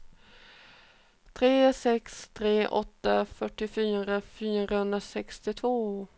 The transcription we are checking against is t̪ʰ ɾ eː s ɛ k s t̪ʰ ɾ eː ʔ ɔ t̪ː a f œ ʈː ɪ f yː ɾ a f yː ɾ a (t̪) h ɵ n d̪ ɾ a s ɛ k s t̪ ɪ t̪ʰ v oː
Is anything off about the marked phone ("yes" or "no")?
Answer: yes